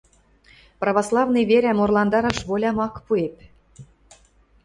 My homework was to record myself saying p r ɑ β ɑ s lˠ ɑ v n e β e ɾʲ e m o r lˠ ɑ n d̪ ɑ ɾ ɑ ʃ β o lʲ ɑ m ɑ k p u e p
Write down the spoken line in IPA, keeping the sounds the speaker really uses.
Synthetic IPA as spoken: p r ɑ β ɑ s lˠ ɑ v n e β e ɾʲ æ m o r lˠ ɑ n d̪ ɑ ɾ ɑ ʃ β o lʲ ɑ m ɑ k p u e p

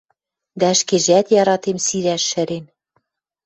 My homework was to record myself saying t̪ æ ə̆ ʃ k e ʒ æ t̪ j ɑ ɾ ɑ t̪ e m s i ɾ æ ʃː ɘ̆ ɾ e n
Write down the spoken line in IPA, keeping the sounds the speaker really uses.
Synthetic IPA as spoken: d̪ æ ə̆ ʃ k e ʒ æ t̪ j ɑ ɾ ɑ t̪ e m s i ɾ æ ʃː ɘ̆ ɾ e n

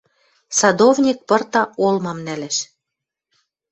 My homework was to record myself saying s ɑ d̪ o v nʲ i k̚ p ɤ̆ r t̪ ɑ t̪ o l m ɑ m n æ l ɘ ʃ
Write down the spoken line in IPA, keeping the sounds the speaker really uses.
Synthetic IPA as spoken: s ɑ d̪ o v nʲ i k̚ p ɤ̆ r t̪ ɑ o l m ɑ m n æ l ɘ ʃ

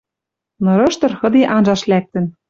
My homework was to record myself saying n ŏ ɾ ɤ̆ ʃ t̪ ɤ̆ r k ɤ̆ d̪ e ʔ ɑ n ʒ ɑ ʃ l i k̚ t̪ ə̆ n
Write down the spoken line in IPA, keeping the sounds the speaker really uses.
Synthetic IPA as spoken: n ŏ ɾ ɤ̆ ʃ t̪ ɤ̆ r x ɤ̆ d̪ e ʔ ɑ n ʒ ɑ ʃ l æ k̚ t̪ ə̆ n

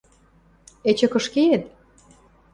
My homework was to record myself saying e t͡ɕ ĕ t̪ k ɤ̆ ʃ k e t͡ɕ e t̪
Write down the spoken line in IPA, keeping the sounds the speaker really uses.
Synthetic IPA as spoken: e t͡ɕ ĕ k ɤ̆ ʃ k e e t̪

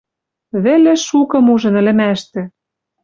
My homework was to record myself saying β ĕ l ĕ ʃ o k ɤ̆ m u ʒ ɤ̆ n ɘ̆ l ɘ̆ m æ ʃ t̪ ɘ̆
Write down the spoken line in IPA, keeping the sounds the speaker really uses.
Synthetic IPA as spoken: β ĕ l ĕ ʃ u k ɤ̆ m u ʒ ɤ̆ n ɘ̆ l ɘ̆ m æ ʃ t̪ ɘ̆

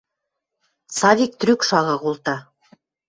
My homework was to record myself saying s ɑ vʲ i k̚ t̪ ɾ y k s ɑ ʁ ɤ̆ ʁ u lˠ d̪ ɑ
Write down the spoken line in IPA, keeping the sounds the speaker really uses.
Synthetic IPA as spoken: s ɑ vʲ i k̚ t̪ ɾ y k ʃ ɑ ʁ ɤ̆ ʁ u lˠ t̪ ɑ

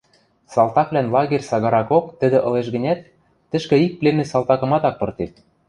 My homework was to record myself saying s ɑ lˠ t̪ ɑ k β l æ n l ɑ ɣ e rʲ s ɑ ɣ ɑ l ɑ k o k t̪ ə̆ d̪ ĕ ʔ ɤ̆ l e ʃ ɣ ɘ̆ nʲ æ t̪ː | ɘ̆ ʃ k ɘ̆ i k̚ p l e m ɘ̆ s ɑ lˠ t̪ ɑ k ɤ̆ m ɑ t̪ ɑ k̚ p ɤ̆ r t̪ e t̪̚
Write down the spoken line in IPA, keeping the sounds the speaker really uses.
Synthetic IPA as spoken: s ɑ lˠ t̪ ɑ k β l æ n l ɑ ɣ e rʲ s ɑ ɣ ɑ ɾ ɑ k o k t̪ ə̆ d̪ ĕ ʔ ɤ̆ l e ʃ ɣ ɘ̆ nʲ æ t̪ː | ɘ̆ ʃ k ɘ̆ i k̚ p l e m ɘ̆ s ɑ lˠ t̪ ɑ k ɤ̆ m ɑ t̪ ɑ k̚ p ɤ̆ r t̪ e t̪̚

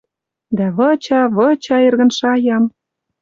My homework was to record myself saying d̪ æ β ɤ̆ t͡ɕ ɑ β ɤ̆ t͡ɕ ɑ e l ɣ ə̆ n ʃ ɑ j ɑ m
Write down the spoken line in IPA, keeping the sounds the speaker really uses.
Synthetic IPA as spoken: d̪ æ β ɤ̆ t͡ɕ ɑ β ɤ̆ t͡ɕ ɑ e r ɣ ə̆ n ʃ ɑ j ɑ m

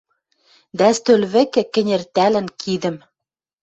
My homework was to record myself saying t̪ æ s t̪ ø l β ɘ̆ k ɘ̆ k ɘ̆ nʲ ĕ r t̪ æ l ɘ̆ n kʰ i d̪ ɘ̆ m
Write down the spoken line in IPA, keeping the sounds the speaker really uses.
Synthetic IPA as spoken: d̪ æ s t̪ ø l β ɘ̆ k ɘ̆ k ɘ̆ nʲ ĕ r t̪ æ l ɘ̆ n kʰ i d̪ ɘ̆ m

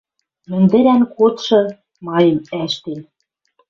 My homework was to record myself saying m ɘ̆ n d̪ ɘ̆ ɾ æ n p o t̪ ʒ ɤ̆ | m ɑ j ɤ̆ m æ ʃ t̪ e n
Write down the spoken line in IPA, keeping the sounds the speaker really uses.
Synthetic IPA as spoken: m ɘ̆ n d̪ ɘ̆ ɾ æ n k o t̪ ʃ ɤ̆ | m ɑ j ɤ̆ m æ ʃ t̪ e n

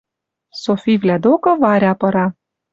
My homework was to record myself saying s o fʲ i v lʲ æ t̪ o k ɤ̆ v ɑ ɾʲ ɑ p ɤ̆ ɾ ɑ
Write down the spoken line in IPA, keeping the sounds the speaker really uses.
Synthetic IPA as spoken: s o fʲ i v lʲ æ d̪ o k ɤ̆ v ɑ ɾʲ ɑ p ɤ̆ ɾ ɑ

